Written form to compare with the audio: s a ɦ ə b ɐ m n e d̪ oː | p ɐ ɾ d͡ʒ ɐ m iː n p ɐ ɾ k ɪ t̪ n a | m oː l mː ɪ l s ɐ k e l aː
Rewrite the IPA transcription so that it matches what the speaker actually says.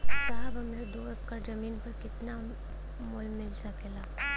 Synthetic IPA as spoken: s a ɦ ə b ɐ m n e d̪ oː | k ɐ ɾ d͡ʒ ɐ m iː n p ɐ ɾ k ɪ t̪ n a | m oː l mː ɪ l s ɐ k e l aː